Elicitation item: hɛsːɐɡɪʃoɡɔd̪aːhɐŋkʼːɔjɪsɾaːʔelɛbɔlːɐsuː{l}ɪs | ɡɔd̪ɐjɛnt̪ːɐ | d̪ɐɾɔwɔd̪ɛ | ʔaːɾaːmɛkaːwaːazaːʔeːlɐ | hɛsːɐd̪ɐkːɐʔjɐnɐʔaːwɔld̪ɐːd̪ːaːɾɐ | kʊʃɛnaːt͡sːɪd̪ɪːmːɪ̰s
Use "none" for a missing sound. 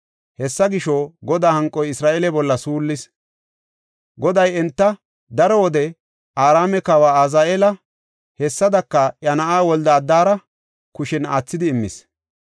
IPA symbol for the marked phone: lː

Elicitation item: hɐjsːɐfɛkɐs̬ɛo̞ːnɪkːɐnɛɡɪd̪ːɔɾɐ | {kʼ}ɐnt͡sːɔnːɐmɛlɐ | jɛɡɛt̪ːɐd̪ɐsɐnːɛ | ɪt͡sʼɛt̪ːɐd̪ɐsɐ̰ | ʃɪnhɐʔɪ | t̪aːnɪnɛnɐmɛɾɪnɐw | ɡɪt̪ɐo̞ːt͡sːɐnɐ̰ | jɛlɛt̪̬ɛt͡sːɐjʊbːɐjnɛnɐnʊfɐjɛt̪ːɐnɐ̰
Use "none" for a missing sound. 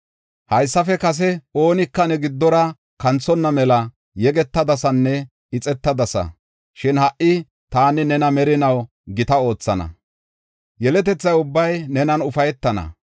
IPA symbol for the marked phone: k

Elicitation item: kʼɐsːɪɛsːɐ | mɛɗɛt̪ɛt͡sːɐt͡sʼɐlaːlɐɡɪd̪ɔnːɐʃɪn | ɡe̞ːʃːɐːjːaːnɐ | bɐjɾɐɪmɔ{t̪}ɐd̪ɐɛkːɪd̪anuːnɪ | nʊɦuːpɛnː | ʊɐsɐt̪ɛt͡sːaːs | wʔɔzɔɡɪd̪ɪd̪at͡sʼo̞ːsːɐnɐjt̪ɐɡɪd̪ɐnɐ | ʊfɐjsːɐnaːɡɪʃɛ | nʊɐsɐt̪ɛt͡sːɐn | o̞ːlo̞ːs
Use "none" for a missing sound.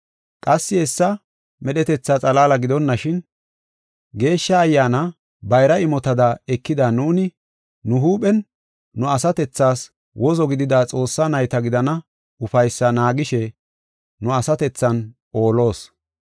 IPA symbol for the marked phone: t̪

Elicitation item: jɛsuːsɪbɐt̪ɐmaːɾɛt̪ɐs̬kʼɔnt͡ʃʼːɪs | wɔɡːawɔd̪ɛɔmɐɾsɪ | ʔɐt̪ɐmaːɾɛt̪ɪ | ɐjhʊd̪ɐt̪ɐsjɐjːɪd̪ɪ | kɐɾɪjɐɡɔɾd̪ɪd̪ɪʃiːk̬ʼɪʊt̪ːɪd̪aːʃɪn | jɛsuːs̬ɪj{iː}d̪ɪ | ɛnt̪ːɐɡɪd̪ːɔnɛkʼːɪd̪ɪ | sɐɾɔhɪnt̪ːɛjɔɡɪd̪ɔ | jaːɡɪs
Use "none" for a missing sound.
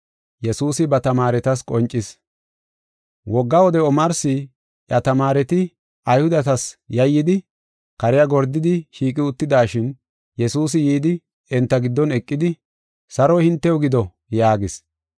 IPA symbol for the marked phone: iː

